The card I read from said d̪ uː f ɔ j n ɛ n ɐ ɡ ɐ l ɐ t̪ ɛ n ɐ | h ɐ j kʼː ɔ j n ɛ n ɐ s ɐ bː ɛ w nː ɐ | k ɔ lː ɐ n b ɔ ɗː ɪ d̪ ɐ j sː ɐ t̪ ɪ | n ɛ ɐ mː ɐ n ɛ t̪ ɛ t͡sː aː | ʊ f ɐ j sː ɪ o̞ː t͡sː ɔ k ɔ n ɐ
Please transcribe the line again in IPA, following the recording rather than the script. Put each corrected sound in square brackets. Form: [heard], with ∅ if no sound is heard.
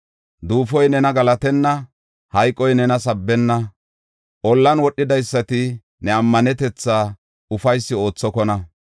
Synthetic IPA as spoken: d̪ uː f ɔ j n ɛ n ɐ ɡ ɐ l ɐ t̪ ɛ [nː] ɐ | h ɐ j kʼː ɔ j n ɛ n ɐ s ɐ bː ɛ [∅] nː ɐ | [ʔ] ɔ lː ɐ n [w] ɔ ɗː ɪ d̪ ɐ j sː ɐ t̪ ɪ | n ɛ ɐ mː ɐ n ɛ t̪ ɛ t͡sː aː | ʊ f ɐ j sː ɪ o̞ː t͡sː ɔ k ɔ n ɐ